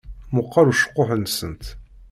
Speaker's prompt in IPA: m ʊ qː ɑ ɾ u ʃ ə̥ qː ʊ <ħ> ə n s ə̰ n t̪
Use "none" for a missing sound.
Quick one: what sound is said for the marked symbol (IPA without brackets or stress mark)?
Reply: ħ